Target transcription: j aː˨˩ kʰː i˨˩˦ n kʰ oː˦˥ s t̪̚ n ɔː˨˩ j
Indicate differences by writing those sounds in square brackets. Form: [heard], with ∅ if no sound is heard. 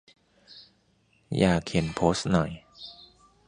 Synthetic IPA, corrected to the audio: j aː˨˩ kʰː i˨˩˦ n [pʰ] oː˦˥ s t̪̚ n [ɔ˨˩] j